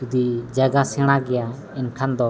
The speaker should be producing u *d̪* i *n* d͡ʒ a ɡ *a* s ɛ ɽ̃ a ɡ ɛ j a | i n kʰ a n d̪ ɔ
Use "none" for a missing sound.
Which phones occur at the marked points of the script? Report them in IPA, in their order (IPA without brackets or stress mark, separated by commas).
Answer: d̪, none, a